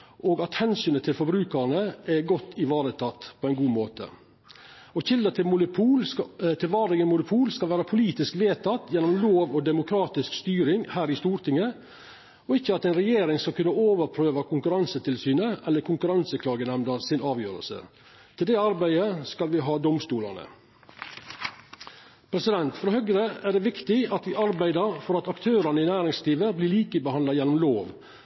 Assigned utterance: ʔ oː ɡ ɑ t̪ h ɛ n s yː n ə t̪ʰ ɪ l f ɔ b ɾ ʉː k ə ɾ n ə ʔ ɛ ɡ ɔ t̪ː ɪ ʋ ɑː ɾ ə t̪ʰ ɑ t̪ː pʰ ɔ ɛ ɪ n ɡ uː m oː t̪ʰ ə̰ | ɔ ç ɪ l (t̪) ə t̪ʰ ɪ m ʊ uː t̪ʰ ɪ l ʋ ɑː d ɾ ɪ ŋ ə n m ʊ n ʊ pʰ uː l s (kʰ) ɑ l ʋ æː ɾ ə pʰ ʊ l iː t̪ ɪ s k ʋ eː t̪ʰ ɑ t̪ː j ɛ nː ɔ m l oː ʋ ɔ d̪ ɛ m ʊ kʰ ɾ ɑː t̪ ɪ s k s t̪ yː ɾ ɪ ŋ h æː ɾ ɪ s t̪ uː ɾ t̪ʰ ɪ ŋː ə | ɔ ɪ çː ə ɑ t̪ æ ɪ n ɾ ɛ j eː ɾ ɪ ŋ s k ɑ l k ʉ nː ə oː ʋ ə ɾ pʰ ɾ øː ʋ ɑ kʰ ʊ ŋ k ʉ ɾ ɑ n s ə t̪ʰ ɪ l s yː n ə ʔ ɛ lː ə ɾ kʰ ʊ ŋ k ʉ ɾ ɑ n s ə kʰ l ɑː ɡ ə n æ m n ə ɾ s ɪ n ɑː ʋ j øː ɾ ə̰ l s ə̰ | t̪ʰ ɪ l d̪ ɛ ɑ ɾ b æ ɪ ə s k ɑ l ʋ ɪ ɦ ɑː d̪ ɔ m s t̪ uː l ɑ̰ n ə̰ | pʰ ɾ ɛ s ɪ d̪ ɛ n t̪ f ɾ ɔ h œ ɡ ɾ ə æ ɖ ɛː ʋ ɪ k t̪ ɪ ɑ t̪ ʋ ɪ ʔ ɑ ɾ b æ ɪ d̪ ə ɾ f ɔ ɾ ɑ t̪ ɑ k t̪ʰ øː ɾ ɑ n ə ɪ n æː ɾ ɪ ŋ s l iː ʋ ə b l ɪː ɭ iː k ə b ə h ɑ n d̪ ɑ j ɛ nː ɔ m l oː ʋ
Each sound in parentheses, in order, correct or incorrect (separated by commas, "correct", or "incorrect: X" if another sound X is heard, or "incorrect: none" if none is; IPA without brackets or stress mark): incorrect: d̪, incorrect: k